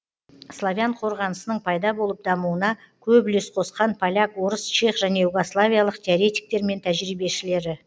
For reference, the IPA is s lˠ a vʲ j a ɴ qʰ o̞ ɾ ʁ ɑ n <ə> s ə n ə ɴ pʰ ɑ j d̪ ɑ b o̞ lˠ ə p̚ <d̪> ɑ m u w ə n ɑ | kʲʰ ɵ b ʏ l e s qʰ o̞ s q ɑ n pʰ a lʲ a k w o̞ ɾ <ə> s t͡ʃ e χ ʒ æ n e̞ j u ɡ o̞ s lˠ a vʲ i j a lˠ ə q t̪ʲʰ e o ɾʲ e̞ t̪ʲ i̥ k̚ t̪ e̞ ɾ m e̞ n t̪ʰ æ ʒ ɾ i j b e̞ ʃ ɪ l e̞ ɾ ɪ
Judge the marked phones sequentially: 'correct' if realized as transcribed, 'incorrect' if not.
correct, correct, correct

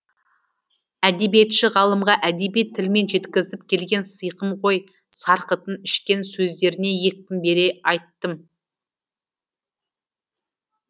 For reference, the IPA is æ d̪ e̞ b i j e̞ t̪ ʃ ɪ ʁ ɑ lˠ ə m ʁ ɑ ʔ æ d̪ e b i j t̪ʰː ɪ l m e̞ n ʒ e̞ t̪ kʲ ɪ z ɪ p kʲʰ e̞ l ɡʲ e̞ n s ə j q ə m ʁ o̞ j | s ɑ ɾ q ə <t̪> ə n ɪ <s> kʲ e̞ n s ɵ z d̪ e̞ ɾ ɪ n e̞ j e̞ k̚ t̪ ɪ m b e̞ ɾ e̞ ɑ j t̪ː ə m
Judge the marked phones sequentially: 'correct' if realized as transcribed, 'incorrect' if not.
correct, incorrect

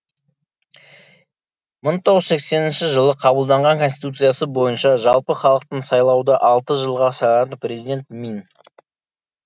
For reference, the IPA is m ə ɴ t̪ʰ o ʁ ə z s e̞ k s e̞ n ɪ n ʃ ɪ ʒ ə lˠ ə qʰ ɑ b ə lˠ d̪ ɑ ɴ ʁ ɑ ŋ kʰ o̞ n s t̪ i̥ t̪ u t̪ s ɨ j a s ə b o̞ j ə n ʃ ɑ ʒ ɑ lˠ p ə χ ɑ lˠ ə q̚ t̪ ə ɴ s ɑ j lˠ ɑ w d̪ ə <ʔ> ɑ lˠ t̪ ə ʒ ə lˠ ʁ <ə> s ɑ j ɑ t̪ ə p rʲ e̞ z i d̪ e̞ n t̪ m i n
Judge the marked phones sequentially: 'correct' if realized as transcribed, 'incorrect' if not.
correct, incorrect

